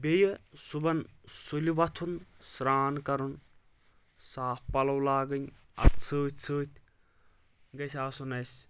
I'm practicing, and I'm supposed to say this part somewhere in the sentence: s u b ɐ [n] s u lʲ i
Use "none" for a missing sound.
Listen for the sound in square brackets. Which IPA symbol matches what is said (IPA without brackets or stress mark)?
n